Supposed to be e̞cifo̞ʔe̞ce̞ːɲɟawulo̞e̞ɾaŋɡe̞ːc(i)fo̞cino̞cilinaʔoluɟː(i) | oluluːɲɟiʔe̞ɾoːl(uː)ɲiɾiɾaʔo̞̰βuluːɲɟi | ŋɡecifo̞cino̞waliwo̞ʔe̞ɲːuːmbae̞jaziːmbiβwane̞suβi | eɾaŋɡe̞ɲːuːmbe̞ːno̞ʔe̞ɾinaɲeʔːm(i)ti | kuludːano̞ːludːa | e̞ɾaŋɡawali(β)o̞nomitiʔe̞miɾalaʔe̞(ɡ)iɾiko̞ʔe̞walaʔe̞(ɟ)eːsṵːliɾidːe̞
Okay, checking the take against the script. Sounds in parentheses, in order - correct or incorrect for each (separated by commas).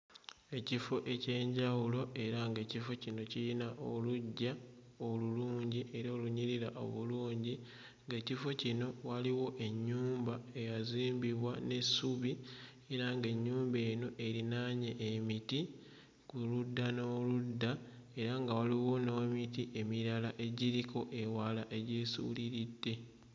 correct, incorrect, incorrect, correct, incorrect, incorrect, correct